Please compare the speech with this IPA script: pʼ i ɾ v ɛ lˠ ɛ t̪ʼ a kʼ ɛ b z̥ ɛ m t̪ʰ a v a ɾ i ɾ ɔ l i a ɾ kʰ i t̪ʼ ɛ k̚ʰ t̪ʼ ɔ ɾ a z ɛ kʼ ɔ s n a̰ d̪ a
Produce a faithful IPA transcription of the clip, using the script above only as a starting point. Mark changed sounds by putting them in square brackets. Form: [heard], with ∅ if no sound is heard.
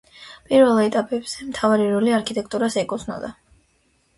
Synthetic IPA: pʼ i ɾ v ɛ lˠ ɛ t̪ʼ a [pʼ] ɛ b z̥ ɛ m t̪ʰ a v a ɾ i ɾ ɔ l i a ɾ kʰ i t̪ʼ ɛ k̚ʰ t̪ʼ [u] ɾ a [s] ɛ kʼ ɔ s n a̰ d̪ a

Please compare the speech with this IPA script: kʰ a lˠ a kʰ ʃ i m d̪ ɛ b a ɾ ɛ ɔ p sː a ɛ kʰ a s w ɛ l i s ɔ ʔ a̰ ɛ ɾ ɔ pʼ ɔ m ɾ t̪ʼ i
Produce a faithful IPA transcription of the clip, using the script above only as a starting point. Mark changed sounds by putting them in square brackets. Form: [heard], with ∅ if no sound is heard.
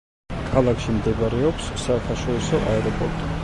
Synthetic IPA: kʰ a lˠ a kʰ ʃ i m d̪ ɛ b a ɾ ɛ ɔ p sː a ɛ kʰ a [ʃ] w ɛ [ɾ] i s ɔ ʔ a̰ ɛ ɾ ɔ pʼ ɔ [∅] ɾ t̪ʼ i

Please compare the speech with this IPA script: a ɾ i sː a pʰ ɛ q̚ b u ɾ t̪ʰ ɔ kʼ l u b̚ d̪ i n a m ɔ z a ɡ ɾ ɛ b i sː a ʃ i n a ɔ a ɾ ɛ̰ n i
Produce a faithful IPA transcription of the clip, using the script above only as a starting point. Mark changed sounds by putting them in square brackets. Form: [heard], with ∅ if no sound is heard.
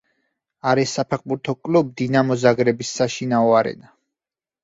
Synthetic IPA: a ɾ i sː a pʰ ɛ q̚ b u ɾ t̪ʰ ɔ kʼ l u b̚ d̪ i n a m ɔ z a ɡ ɾ ɛ b i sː a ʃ i n a ɔ a ɾ ɛ̰ n [a]

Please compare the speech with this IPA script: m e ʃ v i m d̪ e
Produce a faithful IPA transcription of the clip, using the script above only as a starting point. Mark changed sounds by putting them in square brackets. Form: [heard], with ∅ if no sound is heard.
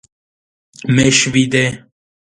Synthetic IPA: m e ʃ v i [∅] d̪ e

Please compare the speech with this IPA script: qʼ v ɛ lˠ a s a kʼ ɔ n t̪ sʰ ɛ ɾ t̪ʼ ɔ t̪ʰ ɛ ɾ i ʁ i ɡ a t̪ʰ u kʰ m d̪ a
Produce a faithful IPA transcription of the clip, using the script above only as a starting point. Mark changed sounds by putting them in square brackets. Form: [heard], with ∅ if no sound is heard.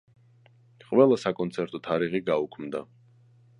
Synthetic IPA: qʼ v ɛ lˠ a s a kʼ ɔ n t̪ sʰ ɛ ɾ t̪ʼ ɔ t̪ʰ [a] ɾ i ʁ i ɡ a [∅] u kʰ m d̪ a

